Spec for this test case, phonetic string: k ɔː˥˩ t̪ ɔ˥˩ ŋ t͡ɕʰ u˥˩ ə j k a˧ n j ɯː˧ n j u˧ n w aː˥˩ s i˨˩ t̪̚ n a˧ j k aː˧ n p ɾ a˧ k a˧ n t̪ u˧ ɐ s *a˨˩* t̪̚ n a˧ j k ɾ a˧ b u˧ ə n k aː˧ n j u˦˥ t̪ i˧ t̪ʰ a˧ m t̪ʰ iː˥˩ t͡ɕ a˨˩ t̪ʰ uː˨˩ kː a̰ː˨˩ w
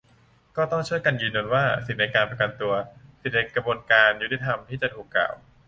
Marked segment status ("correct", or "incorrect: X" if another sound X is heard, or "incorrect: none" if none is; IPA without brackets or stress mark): incorrect: i˨˩